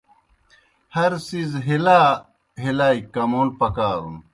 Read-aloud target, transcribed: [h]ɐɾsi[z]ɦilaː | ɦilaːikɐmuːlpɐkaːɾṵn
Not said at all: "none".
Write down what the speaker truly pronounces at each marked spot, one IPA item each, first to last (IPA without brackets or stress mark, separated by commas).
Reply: h, z